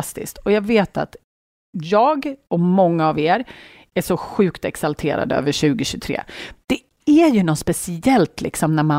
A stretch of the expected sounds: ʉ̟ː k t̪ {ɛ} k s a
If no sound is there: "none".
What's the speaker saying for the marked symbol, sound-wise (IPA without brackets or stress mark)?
ɛ